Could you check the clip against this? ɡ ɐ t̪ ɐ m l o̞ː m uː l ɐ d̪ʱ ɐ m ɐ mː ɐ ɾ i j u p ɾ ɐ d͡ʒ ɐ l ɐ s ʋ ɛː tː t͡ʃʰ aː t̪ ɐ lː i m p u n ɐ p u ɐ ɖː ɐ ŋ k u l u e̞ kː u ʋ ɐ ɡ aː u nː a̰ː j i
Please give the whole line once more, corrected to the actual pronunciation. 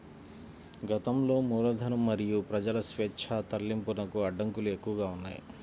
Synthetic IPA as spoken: ɡ ɐ t̪ ɐ m l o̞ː m uː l ɐ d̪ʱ ɐ n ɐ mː ɐ ɾ i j u p ɾ ɐ d͡ʒ ɐ l ɐ s ʋ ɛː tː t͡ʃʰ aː t̪ ɐ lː i m p u n ɐ k u ɐ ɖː ɐ ŋ k u l u e̞ kː u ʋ ɐ ɡ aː u nː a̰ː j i